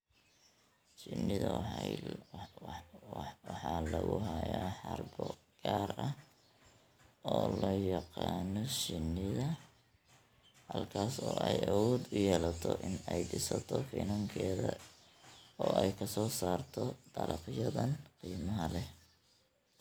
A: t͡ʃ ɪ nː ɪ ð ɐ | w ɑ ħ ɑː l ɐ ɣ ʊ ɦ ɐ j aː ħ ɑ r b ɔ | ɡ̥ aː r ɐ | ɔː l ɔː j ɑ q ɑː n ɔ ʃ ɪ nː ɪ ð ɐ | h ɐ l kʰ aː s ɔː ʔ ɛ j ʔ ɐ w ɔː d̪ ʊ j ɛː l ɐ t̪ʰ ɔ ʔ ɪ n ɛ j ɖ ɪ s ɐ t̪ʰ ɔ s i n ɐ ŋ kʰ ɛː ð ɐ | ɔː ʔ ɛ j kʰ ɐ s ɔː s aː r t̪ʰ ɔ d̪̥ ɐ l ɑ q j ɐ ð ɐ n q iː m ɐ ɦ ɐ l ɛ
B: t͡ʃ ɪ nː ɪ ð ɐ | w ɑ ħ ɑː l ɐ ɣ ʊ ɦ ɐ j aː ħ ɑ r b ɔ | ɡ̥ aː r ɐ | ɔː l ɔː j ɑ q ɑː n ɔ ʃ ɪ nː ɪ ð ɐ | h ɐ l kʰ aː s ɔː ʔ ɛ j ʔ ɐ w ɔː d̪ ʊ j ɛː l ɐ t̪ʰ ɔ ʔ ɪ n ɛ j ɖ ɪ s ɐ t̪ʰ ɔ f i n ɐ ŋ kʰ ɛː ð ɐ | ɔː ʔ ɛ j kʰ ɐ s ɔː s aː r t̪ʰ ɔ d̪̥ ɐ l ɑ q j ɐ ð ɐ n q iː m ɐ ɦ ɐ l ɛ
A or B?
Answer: B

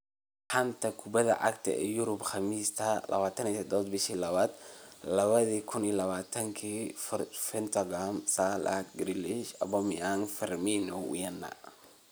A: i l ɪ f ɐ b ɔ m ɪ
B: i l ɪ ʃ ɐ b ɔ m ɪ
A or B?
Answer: B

